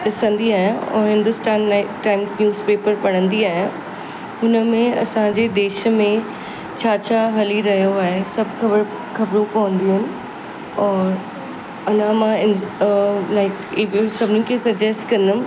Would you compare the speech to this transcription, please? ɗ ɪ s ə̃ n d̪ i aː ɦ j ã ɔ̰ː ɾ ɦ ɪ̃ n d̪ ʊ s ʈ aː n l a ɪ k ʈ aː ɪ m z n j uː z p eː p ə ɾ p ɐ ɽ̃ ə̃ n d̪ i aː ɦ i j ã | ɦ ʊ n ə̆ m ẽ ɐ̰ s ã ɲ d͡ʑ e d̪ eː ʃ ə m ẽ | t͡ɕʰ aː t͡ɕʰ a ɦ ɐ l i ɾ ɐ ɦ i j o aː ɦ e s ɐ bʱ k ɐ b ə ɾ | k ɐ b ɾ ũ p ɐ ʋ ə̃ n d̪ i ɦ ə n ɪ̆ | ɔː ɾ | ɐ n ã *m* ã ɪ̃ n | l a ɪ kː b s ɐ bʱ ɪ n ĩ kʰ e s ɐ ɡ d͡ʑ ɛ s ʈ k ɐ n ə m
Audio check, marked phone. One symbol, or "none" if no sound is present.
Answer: m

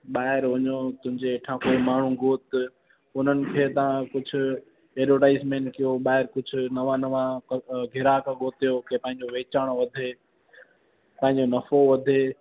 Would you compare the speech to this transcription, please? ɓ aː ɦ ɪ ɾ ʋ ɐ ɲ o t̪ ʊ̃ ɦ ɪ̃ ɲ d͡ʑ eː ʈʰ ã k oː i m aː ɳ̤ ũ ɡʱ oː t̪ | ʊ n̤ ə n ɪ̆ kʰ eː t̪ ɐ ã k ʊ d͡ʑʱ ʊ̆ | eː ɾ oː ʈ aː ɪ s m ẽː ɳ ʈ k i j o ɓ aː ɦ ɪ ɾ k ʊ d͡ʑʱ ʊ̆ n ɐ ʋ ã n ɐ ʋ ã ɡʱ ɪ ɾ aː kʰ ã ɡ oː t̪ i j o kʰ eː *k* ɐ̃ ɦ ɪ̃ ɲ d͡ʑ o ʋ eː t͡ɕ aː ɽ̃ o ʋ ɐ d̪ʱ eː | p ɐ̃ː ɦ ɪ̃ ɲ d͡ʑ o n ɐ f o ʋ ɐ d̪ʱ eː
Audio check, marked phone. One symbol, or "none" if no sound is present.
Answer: p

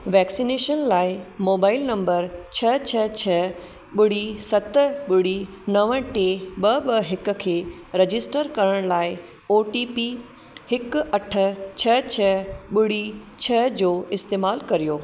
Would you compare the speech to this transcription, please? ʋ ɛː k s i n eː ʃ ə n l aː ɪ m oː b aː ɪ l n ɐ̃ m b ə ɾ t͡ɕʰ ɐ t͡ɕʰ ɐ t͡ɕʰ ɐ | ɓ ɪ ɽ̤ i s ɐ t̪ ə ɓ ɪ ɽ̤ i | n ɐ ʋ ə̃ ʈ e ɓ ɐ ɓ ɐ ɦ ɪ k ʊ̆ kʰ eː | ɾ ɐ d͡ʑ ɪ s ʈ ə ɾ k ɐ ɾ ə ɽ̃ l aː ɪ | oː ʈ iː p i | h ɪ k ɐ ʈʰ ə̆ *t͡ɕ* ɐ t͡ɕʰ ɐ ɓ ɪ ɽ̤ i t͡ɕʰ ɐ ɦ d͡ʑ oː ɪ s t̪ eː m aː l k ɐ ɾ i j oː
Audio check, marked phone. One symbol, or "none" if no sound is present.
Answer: t͡ɕʰ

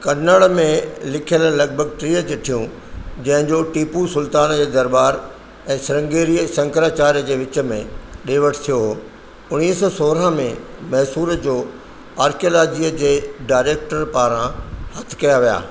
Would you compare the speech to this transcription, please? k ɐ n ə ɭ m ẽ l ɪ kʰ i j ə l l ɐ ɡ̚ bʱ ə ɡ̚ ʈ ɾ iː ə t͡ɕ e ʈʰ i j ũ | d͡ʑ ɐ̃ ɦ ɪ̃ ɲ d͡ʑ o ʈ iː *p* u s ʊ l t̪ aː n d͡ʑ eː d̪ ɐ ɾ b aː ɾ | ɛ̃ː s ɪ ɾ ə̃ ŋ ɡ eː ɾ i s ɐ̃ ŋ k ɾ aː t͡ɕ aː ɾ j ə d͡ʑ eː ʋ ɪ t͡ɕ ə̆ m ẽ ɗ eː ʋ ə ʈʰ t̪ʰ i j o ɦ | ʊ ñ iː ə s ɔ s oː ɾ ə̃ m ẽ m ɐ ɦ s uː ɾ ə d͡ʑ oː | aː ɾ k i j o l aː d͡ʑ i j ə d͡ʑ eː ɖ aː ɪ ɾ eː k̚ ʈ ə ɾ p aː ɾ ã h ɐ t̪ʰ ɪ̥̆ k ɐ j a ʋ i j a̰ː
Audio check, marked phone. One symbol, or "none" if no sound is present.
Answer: p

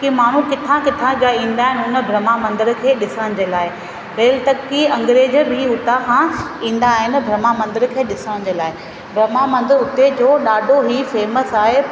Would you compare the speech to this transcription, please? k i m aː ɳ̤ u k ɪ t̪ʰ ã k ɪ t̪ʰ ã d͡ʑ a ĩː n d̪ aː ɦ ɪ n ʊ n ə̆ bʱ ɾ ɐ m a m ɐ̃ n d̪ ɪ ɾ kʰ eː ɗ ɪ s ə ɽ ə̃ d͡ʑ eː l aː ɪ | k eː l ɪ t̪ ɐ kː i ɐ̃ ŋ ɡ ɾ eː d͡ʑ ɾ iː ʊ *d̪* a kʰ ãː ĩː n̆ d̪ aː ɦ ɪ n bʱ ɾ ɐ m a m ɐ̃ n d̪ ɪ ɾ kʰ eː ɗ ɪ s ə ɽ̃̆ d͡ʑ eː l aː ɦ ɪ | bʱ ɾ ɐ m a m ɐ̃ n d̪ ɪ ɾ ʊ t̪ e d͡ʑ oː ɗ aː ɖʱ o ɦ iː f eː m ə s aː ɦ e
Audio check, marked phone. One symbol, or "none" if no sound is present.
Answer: t̪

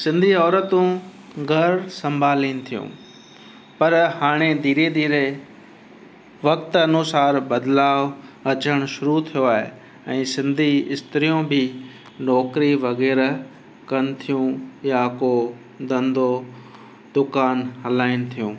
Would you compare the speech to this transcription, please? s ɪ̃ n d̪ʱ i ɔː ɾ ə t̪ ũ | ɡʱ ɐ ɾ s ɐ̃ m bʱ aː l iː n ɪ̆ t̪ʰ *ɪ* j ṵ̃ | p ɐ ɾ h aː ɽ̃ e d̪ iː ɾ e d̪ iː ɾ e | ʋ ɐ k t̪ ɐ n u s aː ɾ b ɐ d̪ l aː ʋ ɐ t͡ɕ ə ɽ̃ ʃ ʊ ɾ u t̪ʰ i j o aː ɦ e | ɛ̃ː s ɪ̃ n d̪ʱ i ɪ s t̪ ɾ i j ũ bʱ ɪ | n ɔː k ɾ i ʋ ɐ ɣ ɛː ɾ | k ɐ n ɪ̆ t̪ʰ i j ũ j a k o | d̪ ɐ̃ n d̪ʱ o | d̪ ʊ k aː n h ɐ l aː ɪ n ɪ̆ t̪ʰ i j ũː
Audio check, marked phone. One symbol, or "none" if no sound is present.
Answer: i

